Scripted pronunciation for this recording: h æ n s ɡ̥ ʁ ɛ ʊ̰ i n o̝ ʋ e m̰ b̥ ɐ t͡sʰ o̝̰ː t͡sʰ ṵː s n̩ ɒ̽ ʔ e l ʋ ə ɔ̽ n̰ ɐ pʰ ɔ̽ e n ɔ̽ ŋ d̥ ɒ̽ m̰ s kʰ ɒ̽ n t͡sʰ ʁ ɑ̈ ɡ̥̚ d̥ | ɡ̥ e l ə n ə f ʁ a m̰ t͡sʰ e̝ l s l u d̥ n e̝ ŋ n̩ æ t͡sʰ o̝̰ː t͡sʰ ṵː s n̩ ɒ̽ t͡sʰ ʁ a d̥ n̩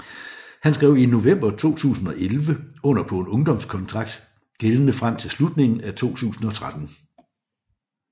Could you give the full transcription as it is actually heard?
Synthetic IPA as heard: h æ n s ɡ̥ ʁ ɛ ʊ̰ i n o̝ ʋ e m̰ b̥ ɐ t͡sʰ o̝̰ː t͡sʰ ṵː s n̩ ɒ̽ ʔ e l ʋ ə ɔ̽ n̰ ɐ pʰ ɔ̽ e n ɔ̽ ŋ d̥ ɒ̽ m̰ s kʰ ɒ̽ n t͡sʰ ʁ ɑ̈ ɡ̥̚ d̥ | ɡ̥ e l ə n ə f ʁ a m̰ t͡sʰ e̝ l s l u d̥ n e̝ ŋ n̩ æ t͡sʰ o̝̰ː t͡sʰ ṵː s n̩ ɒ̽ t͡sʰ ʁ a d̥ n̩